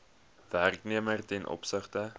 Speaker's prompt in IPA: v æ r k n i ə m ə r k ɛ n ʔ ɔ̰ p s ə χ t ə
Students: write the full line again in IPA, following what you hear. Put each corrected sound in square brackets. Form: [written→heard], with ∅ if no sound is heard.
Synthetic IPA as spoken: v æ r k n i ə m ə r [k→t] ɛ n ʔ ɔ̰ p s ə χ t ə